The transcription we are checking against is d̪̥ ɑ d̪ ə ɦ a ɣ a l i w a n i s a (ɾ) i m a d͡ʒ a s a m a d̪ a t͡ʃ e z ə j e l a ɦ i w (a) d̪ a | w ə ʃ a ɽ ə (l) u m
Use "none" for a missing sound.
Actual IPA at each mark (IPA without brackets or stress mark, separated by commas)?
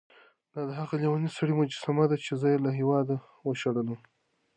ɽ, ɑ, l